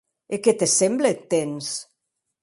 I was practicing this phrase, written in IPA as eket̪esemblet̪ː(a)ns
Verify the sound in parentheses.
incorrect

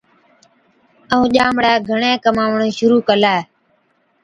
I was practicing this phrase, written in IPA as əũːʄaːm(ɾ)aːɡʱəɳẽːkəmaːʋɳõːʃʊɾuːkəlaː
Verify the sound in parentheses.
incorrect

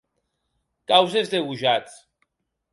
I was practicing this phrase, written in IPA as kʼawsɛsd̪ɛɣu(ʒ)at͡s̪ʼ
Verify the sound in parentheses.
correct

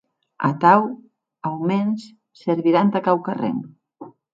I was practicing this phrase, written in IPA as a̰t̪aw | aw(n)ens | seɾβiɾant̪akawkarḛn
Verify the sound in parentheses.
incorrect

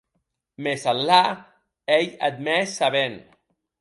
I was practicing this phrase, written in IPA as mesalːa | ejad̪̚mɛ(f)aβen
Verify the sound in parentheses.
incorrect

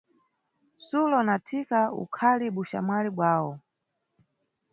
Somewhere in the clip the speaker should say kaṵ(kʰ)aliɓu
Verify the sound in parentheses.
correct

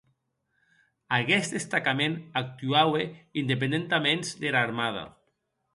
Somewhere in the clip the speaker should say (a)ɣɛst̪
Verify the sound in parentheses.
correct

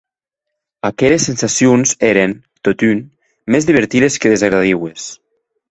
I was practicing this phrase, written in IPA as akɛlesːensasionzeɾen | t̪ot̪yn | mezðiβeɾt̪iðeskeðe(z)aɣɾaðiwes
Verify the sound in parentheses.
correct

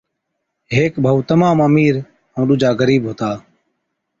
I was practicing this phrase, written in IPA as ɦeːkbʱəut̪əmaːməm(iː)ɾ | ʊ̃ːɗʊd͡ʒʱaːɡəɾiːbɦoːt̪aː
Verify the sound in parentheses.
correct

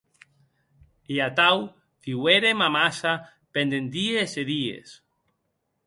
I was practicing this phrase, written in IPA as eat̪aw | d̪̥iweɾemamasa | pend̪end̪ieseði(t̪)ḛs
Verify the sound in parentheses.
incorrect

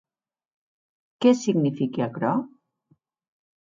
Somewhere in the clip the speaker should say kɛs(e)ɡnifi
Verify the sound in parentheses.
incorrect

